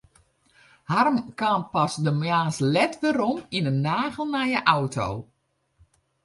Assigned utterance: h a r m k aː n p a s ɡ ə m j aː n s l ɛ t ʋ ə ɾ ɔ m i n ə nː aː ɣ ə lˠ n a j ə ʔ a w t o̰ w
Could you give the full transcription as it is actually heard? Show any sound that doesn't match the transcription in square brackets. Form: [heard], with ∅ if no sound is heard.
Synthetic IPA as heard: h a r m k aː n p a s [d] ə m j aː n s l ɛ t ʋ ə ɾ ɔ m i n ə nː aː ɣ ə lˠ n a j ə ʔ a w t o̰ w